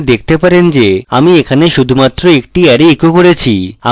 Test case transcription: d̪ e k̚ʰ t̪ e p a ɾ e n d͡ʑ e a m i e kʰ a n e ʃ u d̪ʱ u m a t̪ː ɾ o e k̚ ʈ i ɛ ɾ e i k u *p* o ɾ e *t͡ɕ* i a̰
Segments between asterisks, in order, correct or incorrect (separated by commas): incorrect, incorrect